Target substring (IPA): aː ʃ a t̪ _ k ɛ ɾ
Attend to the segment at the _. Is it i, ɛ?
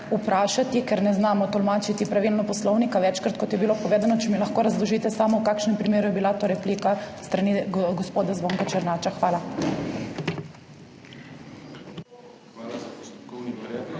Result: i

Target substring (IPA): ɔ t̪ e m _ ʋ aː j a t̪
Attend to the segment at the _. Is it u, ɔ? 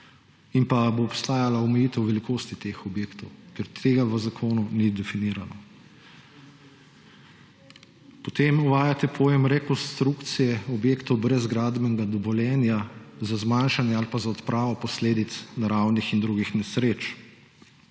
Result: u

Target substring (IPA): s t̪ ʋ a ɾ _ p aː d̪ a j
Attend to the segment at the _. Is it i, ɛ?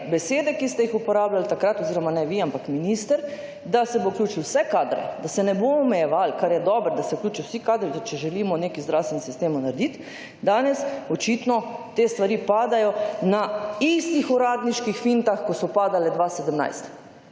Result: i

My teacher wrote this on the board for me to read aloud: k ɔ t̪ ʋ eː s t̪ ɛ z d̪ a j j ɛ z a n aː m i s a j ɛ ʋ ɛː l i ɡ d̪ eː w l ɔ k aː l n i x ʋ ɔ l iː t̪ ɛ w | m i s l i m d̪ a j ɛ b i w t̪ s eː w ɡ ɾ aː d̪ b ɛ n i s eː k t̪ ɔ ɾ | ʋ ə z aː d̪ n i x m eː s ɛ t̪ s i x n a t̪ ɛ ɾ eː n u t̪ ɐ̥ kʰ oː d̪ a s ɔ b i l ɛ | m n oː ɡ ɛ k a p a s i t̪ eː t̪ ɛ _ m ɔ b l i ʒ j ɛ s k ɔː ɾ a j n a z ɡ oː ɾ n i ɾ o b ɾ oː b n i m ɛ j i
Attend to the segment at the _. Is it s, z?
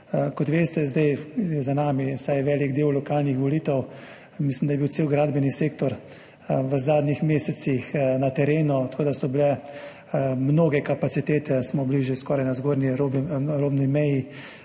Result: s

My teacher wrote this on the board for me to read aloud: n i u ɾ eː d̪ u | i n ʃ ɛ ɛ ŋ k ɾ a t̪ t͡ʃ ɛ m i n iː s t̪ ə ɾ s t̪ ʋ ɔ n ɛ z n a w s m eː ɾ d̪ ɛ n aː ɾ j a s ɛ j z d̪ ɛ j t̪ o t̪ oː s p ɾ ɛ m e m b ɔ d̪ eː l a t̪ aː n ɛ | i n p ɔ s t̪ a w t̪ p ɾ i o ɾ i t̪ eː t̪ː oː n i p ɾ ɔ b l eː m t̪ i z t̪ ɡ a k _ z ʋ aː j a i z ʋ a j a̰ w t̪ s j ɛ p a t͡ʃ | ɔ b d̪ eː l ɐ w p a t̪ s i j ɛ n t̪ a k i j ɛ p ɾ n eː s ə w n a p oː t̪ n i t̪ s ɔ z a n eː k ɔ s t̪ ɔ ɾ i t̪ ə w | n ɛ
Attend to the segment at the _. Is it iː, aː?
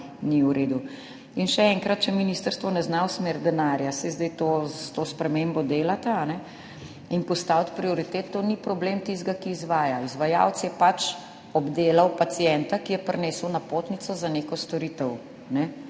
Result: iː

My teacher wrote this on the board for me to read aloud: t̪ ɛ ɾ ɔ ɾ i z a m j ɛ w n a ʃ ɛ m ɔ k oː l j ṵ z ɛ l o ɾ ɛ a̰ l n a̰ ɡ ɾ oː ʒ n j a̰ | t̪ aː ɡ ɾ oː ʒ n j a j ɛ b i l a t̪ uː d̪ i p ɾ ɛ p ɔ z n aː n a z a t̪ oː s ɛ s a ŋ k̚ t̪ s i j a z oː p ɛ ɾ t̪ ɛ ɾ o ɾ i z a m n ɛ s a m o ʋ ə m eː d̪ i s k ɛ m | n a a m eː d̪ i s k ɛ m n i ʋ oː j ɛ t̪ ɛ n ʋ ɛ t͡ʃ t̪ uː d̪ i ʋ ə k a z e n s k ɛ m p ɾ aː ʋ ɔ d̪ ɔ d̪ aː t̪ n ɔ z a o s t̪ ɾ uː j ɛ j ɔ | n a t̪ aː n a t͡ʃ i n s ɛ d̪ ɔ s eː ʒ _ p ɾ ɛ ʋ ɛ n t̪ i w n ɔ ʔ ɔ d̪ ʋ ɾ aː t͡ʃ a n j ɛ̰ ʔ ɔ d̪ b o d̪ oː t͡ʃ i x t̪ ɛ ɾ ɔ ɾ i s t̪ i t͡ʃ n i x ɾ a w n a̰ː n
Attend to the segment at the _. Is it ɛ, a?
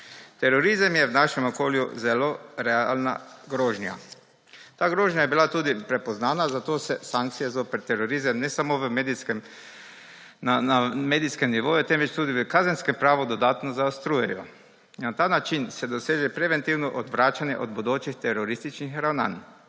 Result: ɛ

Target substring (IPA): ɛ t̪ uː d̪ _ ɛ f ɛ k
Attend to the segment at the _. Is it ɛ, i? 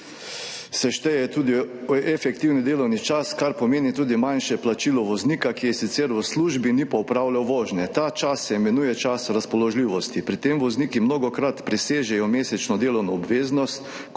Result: i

